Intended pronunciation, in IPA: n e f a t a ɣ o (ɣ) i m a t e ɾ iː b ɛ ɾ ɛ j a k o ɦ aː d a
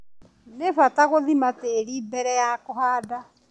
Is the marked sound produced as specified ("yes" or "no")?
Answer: no